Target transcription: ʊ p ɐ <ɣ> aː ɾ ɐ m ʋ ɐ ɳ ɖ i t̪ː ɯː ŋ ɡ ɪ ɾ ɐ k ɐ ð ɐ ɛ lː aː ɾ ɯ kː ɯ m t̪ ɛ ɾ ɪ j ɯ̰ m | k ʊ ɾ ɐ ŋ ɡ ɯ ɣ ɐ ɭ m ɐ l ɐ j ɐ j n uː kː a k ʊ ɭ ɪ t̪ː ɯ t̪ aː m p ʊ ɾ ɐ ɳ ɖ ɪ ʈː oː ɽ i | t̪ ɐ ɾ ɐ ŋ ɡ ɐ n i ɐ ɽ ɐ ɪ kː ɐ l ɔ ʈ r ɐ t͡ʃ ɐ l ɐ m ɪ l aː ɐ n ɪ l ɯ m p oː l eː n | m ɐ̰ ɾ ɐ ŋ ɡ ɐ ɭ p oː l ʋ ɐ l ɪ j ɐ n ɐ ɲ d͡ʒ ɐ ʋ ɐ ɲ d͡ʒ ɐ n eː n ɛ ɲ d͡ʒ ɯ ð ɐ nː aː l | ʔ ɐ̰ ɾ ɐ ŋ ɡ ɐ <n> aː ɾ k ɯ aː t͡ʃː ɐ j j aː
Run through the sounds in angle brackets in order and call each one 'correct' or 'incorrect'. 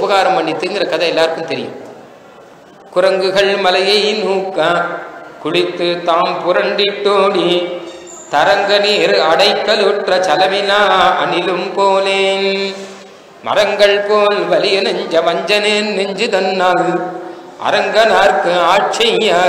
correct, correct

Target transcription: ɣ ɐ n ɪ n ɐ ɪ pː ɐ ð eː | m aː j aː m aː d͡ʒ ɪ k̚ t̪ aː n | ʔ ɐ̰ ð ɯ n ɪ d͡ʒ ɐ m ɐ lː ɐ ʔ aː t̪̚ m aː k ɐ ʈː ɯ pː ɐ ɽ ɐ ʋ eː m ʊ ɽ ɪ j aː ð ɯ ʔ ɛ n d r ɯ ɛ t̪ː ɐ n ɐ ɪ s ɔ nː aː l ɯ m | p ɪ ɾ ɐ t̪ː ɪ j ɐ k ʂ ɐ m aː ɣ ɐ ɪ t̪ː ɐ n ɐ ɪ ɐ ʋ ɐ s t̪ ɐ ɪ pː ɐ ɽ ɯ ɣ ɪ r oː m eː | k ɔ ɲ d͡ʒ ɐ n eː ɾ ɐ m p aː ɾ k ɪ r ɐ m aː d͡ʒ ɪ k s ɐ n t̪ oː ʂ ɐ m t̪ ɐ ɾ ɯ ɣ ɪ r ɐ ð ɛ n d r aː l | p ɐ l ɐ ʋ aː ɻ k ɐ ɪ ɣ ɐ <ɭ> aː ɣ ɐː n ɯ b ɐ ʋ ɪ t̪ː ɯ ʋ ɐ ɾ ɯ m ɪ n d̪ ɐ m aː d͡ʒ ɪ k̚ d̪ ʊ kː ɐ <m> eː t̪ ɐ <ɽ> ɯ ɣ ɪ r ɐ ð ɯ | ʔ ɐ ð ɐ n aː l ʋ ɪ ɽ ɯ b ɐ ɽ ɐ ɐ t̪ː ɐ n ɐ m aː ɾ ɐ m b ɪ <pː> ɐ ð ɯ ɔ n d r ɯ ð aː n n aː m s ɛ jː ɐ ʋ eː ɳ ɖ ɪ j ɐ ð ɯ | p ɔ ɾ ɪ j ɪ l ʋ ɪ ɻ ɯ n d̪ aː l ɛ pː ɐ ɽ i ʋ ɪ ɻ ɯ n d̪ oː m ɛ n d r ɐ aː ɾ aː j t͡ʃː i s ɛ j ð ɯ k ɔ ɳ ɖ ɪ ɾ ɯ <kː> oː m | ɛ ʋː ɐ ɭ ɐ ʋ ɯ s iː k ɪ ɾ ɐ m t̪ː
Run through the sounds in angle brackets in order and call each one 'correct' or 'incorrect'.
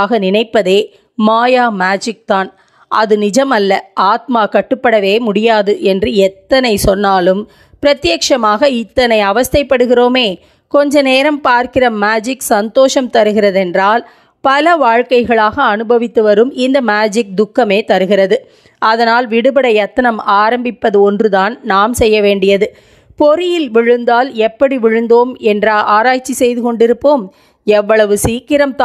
correct, correct, incorrect, correct, incorrect

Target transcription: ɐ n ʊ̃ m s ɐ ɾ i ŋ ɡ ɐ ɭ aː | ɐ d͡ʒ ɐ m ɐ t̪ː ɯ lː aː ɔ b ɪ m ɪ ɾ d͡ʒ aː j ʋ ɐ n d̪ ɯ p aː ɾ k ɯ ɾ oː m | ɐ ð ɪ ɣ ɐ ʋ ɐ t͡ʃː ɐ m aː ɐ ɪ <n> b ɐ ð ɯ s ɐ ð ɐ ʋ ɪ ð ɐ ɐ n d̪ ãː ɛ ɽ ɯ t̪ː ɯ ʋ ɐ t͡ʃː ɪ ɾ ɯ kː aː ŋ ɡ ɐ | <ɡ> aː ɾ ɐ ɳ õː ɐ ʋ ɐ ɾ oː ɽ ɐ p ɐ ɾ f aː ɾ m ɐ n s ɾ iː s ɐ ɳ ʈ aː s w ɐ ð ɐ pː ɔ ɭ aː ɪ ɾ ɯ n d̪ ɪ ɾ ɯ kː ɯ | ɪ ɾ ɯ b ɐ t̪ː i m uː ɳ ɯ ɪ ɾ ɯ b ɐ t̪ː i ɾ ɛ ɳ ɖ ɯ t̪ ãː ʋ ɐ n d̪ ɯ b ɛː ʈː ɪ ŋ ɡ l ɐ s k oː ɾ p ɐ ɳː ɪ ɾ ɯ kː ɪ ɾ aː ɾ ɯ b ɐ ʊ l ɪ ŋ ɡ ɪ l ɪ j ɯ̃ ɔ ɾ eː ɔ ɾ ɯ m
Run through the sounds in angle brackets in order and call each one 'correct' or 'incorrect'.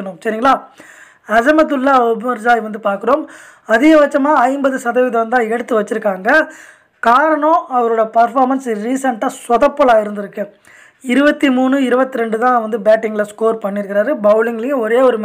incorrect, incorrect

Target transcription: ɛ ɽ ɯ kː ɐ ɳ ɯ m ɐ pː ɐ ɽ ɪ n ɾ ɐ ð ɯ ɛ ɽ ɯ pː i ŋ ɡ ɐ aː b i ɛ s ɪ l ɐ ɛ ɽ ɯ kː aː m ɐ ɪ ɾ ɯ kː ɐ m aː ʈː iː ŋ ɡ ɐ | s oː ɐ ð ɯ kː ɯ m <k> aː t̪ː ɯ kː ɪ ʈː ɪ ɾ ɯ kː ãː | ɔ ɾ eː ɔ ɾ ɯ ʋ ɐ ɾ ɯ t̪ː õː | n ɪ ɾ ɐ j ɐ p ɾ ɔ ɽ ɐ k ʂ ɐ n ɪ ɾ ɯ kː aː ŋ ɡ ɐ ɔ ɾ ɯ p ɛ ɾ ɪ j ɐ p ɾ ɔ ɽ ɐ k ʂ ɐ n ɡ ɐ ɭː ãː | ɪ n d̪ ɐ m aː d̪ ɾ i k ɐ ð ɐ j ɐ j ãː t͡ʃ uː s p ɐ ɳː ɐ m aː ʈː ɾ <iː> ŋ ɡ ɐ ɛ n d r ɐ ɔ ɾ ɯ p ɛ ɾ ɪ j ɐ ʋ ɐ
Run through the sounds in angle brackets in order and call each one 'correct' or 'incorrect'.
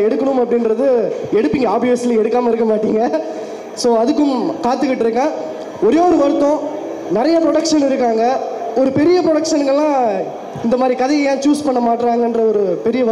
correct, incorrect

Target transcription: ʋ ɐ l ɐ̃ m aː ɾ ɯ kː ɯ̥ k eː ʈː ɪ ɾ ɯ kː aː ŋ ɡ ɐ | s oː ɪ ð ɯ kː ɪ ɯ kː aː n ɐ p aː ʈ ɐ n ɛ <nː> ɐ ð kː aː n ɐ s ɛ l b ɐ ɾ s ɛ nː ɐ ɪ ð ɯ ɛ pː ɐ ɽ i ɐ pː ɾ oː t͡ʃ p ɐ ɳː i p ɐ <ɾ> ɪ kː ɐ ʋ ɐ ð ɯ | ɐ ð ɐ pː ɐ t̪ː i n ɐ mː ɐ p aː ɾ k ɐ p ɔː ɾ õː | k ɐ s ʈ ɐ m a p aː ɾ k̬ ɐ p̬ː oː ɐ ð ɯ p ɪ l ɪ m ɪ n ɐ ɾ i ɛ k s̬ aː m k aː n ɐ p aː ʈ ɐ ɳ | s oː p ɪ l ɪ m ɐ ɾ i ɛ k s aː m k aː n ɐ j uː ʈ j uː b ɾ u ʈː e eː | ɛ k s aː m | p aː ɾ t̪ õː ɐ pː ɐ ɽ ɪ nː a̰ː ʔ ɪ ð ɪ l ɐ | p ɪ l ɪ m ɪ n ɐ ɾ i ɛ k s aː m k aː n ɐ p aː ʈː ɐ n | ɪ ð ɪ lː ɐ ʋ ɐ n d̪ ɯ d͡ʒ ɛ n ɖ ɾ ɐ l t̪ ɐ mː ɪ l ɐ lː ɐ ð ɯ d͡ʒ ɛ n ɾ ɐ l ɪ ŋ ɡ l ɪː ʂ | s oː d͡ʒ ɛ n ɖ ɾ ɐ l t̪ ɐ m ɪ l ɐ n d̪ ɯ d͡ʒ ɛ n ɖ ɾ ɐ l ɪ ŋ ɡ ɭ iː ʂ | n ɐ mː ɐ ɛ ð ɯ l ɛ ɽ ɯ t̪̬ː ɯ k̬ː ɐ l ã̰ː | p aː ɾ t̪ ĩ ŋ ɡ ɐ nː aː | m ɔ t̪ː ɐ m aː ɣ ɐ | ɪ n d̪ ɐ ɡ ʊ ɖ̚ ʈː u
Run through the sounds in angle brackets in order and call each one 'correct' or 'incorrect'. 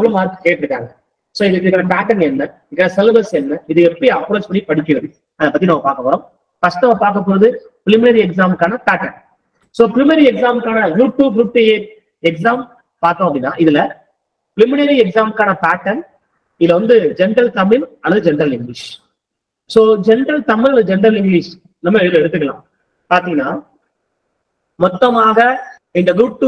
correct, incorrect

